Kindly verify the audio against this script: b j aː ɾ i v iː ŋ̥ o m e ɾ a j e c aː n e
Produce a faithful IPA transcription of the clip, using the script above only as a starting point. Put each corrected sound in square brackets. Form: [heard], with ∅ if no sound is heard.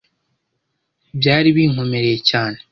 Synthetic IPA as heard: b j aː ɾ i [β] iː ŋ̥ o m e ɾ [e] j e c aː n e